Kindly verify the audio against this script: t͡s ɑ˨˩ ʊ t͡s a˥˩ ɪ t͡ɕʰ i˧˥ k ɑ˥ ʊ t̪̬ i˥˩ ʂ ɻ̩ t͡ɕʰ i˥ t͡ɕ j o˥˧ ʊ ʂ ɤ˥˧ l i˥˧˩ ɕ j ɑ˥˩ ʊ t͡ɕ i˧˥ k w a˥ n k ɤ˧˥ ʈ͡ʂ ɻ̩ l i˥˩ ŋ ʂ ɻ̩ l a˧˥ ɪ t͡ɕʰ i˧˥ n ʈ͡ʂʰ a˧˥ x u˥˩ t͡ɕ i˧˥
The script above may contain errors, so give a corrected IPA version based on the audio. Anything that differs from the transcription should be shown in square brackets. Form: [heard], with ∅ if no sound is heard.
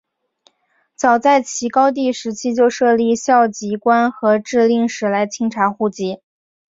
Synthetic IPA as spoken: t͡s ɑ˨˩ ʊ t͡s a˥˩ ɪ t͡ɕʰ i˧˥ k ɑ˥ ʊ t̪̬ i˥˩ ʂ ɻ̩ t͡ɕʰ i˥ t͡ɕ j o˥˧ ʊ ʂ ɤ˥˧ l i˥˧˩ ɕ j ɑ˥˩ ʊ t͡ɕ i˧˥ k w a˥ n [x] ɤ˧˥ ʈ͡ʂ ɻ̩ l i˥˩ ŋ ʂ ɻ̩ l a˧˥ ɪ t͡ɕʰ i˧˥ [ŋ] ʈ͡ʂʰ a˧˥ x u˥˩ t͡ɕ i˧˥